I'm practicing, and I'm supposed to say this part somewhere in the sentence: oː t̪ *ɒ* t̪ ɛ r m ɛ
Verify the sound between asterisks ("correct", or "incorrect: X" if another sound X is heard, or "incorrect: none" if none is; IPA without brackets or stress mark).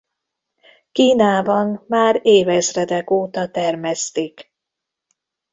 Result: correct